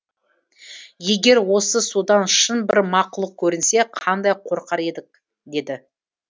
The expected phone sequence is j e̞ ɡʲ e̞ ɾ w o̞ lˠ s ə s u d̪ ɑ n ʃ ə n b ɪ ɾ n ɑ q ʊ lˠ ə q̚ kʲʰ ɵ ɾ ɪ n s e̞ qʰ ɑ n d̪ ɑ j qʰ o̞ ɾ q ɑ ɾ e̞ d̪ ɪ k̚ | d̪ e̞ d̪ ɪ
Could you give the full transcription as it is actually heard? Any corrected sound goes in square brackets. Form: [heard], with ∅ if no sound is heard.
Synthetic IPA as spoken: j e̞ ɡʲ e̞ ɾ w o̞ [∅] s ə s u d̪ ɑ n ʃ ə n b ɪ ɾ [m] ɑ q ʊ lˠ ə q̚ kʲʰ ɵ ɾ ɪ n s e̞ qʰ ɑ n d̪ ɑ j qʰ o̞ ɾ q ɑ ɾ e̞ d̪ ɪ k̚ | d̪ e̞ d̪ ɪ